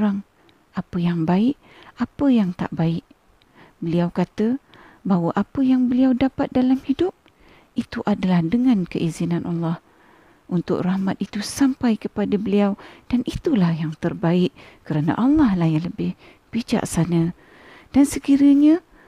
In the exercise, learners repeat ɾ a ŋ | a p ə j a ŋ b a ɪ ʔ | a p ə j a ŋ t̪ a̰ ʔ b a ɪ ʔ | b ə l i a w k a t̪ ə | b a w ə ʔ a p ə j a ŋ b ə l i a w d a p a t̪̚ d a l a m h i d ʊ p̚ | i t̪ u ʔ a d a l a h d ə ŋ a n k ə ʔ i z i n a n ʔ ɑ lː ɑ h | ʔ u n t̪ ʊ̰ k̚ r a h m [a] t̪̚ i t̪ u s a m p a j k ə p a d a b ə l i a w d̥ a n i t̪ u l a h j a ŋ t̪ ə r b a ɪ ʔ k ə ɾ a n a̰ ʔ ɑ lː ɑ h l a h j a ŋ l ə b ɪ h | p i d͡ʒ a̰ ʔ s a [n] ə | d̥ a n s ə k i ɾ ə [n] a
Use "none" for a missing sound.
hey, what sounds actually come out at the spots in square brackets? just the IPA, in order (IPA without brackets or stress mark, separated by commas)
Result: a, n, ɲ